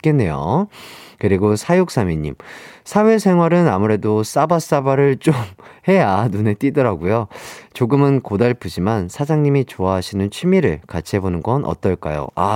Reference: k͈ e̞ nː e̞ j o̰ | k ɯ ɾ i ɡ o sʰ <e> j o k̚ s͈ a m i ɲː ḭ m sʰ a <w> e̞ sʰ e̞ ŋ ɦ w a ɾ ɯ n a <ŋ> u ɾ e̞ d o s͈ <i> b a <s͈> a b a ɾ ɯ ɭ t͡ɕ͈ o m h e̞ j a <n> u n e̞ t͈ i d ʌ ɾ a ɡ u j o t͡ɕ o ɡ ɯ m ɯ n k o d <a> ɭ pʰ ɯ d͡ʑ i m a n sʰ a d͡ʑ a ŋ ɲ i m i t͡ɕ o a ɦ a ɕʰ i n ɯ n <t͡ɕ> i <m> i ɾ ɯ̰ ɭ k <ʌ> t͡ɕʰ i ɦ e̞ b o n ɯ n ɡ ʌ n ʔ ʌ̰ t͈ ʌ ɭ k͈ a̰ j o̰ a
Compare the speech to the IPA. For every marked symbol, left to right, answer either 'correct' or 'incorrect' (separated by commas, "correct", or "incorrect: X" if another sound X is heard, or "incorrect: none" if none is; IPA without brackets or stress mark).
incorrect: a, correct, incorrect: m, incorrect: a, correct, correct, correct, incorrect: t͡ɕʰ, correct, incorrect: a